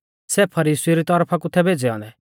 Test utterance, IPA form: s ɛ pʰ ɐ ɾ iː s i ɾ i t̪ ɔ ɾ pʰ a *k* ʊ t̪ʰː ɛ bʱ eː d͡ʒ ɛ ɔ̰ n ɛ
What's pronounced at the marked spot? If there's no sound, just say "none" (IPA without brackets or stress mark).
k